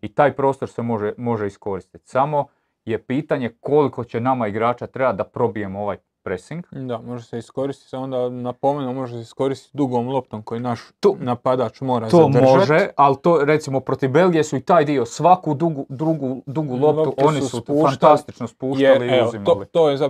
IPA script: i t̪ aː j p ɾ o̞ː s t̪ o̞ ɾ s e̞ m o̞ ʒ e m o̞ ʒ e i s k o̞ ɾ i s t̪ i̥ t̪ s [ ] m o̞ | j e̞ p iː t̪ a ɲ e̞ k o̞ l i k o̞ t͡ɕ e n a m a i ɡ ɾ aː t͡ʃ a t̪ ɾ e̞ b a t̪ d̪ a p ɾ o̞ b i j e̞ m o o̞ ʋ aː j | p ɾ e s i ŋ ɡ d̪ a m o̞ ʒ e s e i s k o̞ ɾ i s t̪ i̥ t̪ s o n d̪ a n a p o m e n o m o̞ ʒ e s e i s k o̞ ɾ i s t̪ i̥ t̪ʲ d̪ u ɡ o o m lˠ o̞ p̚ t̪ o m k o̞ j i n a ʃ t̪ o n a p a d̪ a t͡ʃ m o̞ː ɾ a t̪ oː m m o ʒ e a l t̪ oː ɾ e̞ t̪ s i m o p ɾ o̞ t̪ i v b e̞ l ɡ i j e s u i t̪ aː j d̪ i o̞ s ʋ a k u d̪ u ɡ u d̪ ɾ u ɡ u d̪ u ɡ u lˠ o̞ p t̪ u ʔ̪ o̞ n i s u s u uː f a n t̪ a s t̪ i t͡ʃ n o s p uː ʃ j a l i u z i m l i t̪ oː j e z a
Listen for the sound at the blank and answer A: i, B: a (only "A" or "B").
B